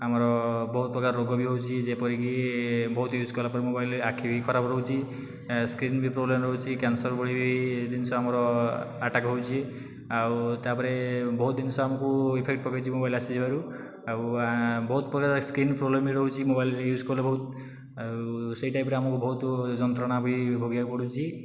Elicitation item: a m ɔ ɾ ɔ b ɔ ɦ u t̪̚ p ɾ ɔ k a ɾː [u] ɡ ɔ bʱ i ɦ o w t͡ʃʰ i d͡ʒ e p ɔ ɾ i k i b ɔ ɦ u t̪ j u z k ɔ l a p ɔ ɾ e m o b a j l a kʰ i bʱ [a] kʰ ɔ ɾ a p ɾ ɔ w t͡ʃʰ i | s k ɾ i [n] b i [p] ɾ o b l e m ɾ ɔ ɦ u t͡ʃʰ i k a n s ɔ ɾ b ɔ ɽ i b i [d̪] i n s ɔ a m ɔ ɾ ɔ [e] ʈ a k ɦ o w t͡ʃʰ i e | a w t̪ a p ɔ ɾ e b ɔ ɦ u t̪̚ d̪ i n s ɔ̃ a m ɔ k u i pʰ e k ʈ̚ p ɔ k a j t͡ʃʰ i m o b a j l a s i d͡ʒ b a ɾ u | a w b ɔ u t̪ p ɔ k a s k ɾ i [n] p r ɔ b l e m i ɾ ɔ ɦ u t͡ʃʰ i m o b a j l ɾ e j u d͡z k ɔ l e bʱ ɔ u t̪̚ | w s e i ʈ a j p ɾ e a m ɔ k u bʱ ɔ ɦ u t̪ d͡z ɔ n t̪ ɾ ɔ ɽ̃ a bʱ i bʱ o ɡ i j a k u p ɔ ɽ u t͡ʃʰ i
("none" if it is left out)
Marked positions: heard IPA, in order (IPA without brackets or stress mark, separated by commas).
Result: o, i, n, p, d̪, a, n